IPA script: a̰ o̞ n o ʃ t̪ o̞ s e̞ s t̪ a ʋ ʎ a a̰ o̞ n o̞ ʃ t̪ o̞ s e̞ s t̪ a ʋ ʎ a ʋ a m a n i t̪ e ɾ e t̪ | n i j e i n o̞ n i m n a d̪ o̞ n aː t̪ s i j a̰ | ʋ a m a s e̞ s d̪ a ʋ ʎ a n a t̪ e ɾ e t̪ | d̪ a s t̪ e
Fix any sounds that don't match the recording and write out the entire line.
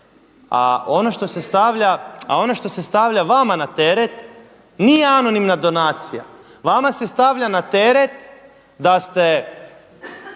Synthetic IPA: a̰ o̞ n o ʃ t̪ o̞ s e̞ s t̪ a ʋ ʎ a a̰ o̞ n o̞ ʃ t̪ o̞ s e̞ s t̪ a ʋ ʎ a ʋ a m a n a t̪ e ɾ e t̪ | n i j e a n o̞ n i m n a d̪ o̞ n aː t̪ s i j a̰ | ʋ a m a s e̞ s t̪ a ʋ ʎ a n a t̪ e ɾ e t̪ | d̪ a s t̪ e